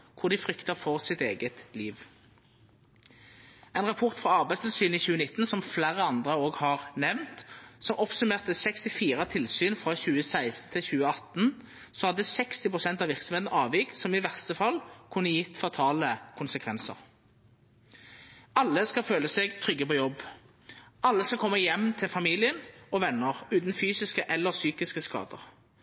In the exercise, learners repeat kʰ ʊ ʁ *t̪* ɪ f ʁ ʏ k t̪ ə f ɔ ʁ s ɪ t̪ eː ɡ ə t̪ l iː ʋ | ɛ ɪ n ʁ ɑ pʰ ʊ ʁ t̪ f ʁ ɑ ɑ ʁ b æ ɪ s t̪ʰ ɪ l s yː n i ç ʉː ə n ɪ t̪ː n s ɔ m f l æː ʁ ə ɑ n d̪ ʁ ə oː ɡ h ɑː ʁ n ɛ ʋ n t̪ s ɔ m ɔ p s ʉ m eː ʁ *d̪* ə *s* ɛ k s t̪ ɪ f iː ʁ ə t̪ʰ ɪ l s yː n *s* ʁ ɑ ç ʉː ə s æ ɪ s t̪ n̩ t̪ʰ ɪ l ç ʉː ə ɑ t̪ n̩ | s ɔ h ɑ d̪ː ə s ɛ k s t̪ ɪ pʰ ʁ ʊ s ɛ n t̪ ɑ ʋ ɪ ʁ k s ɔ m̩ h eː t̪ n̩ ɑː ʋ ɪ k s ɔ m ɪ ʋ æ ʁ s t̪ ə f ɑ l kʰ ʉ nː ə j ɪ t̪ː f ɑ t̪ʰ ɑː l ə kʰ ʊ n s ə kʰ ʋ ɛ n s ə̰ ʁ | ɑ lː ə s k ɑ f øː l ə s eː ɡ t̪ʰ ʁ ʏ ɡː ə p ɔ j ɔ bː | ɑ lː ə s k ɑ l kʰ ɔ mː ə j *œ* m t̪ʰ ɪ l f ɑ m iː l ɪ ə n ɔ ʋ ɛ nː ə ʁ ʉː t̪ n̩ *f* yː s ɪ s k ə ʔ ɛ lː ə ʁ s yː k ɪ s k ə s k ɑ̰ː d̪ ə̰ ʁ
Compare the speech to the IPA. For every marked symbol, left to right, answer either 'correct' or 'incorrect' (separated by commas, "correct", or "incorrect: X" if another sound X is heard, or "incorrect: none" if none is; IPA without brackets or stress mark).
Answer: incorrect: d̪, incorrect: t̪, correct, incorrect: f, incorrect: ɛ, correct